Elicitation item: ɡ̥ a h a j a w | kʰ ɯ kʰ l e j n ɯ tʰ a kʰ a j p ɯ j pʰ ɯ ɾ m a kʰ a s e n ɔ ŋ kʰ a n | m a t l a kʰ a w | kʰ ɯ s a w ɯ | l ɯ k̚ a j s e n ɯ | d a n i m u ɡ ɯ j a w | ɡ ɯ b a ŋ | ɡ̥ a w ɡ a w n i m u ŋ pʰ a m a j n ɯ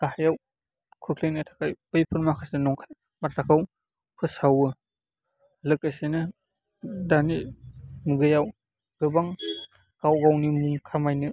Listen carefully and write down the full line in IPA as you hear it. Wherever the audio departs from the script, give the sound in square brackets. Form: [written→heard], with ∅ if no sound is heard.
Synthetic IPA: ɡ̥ a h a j a w | kʰ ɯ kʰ l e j n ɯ tʰ a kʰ a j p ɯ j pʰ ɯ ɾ m a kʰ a s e n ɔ ŋ kʰ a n | m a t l a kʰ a w | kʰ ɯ s a w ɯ | l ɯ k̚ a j s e n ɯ | d a n i m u ɡ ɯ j a w | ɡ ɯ b a ŋ | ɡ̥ a w ɡ a w n i m u ŋ [pʰ→kʰ] a m a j n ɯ